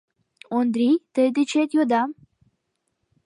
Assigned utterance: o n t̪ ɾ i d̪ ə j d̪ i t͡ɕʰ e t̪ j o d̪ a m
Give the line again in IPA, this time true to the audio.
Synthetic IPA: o n d̪ ɾ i t̪ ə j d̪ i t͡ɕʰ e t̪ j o d̪ a m

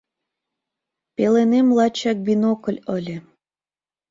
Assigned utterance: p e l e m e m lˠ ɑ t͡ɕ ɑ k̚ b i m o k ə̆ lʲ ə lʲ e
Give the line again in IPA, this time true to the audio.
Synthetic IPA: p e l e n e m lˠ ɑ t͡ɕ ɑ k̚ b i n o k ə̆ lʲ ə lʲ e

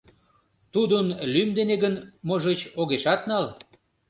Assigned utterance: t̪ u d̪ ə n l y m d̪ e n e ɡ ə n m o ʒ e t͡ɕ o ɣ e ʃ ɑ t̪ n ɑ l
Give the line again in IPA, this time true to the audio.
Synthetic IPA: t̪ u d̪ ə n l y m d̪ e n e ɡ ə n m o ʒ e t͡ɕ o ɣ e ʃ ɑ t̪ n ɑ l

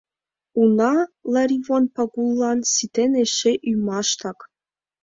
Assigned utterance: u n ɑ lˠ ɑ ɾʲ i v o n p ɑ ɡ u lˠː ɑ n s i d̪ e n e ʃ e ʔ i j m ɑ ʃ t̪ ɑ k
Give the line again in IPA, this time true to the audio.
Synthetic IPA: u n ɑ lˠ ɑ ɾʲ i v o n p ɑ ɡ u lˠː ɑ n s i t̪ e n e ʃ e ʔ y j m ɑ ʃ t̪ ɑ k

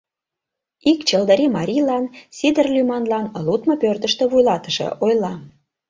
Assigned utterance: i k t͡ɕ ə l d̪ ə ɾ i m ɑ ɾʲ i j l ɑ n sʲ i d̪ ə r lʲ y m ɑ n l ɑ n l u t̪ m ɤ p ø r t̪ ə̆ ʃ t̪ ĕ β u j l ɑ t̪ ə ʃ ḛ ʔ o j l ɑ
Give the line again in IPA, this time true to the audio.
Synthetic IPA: i k t͡ɕ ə l d̪ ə ɾ i m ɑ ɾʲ i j l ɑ n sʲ i d̪ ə r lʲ y m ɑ n l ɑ n l u t̪ m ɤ p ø r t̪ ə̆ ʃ t̪ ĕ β u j l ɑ t̪ ə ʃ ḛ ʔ o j l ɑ

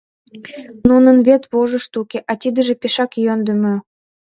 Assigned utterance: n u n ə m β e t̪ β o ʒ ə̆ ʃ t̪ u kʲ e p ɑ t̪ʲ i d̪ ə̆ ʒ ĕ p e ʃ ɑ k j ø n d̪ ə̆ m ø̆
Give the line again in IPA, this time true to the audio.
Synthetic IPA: n u n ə n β e t̪ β o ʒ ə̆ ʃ t̪ u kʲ e ʔ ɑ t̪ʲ i d̪ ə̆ ʒ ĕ p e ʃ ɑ k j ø n d̪ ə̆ m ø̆

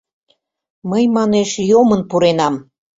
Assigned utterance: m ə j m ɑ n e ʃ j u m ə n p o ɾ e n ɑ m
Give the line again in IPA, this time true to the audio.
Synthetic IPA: m ə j m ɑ n e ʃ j o m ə n p u ɾ e n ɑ m

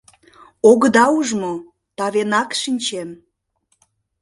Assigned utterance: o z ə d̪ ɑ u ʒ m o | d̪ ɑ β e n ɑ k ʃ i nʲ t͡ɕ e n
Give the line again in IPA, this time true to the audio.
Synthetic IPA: o ɣ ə d̪ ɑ u ʒ m o | t̪ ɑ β e n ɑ k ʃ i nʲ t͡ɕ e m

